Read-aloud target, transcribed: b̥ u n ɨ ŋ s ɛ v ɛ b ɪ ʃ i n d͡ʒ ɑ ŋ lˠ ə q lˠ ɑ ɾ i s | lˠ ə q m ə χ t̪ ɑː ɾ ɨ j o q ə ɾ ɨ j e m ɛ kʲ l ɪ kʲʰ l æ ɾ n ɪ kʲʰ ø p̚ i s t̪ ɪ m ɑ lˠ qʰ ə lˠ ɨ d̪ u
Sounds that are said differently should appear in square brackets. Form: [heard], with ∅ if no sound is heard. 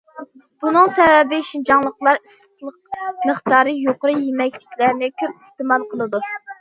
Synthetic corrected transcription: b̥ u n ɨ ŋ s ɛ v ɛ b ɪ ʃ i n d͡ʒ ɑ ŋ lˠ ə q lˠ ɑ ɾ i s | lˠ ə q m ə χ t̪ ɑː ɾ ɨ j o q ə ɾ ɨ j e m ɛ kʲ l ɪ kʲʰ l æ ɾ n ɪ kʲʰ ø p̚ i s t̪ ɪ m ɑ lˠ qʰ ə lˠ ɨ d̪ u